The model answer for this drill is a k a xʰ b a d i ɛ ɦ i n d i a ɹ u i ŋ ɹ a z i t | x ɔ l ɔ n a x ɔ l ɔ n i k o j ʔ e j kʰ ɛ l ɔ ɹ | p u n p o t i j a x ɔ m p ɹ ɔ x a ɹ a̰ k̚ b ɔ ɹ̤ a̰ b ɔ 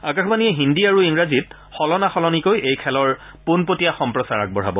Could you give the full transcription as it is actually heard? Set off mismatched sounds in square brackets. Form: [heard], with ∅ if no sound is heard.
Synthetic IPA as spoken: a k a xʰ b a [n] i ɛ ɦ i n d i a ɹ u i ŋ ɹ a z i t | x ɔ l ɔ n a x ɔ l ɔ n i k o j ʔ e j kʰ ɛ l ɔ ɹ | p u n p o t i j a x ɔ m p ɹ ɔ [s] a ɹ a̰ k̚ b ɔ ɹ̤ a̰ b ɔ